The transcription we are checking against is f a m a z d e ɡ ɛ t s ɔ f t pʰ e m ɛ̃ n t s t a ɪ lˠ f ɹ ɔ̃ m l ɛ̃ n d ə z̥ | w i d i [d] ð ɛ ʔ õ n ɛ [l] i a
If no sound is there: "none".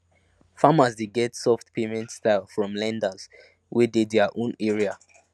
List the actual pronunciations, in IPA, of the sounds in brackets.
d, ɹ

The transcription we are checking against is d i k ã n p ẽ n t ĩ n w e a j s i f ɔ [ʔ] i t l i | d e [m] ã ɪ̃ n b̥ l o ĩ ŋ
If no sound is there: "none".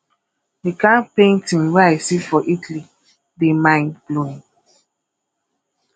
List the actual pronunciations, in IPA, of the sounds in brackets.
ʔ, m

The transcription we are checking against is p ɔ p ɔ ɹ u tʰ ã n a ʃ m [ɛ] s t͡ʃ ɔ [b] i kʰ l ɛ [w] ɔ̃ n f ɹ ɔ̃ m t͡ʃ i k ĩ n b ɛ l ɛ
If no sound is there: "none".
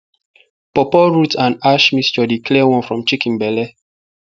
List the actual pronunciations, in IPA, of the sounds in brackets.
i, d, w

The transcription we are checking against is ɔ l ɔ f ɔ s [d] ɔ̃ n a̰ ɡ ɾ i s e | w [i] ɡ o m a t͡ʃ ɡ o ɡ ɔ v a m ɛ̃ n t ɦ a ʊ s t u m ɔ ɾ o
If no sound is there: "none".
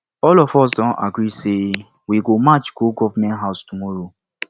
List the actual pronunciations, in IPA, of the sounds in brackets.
d, i

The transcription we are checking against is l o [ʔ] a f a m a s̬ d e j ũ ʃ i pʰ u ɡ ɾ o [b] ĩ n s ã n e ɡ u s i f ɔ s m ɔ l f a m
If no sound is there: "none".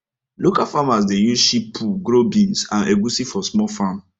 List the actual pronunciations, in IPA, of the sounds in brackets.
k, b

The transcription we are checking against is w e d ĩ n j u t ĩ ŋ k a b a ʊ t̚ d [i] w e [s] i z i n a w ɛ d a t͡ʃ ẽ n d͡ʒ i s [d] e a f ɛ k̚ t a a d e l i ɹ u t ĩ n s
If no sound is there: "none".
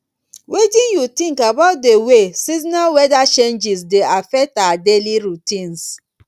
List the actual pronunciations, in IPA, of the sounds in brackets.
e, s, d

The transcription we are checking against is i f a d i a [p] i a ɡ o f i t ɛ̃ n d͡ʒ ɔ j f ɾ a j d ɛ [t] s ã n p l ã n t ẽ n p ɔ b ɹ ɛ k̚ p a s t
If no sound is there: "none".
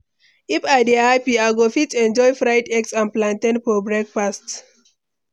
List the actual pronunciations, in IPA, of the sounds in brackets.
p, k

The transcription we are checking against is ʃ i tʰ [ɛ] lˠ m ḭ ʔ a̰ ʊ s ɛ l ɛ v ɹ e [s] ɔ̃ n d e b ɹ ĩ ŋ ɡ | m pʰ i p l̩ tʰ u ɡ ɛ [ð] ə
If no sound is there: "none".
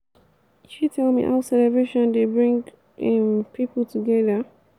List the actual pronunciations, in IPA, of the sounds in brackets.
ɛ, ʃ, ð

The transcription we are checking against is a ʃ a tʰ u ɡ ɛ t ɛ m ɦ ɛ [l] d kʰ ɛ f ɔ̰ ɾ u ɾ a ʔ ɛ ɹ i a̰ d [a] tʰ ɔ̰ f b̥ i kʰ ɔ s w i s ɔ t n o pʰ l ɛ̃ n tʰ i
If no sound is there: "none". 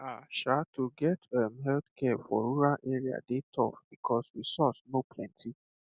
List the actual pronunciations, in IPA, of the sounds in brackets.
l, e

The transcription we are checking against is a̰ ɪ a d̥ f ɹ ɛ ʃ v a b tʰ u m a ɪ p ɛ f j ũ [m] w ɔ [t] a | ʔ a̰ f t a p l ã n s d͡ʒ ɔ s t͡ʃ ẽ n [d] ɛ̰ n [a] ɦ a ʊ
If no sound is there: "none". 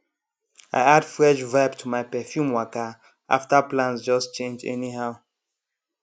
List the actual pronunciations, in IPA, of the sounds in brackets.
m, k, d͡ʒ, i

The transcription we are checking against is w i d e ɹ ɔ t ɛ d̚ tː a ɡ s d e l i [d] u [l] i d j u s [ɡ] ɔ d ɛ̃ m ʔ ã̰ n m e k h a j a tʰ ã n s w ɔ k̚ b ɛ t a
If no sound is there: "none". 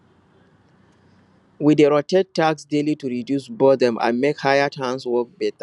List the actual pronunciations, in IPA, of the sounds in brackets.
t, ɹ, b

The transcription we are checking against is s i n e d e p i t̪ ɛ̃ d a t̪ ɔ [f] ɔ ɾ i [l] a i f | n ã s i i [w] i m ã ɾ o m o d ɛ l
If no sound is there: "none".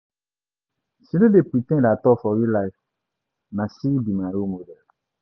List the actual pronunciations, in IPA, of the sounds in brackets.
f, l, b

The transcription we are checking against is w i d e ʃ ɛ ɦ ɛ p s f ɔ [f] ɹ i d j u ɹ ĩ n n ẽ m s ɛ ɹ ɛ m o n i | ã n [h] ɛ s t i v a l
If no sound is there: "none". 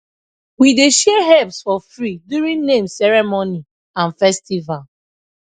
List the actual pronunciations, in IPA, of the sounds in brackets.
f, f

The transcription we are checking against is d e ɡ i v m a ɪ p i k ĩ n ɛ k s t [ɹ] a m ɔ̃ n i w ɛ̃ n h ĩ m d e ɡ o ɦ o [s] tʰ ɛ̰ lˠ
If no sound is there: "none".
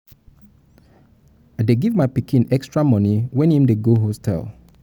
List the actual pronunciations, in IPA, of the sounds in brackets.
ɹ, s

